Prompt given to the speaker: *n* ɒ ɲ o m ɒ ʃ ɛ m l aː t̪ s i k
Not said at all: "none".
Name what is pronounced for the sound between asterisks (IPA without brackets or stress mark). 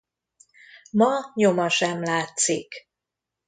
m